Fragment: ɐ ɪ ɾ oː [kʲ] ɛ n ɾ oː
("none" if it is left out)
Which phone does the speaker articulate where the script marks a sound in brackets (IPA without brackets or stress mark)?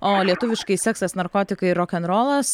kʲ